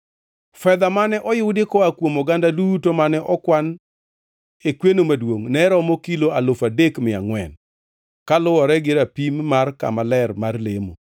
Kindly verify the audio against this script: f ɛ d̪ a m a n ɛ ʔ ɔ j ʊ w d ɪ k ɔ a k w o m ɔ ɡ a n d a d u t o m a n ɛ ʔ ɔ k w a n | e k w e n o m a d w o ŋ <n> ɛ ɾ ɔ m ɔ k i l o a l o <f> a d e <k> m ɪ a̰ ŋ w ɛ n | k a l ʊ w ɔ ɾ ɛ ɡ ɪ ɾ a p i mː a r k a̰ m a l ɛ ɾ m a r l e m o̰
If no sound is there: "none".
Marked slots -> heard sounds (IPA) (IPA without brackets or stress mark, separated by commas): n, f, k